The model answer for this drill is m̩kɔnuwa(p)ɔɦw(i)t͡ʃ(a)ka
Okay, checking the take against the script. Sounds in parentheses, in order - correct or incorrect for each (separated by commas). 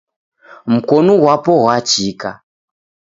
correct, incorrect, incorrect